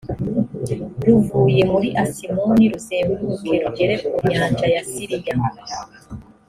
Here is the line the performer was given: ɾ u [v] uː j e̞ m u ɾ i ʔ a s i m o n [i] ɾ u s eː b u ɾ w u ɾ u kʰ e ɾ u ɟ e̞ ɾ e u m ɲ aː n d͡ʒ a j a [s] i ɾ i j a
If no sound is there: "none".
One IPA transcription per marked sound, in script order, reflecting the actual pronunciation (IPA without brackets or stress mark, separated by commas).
v, i, s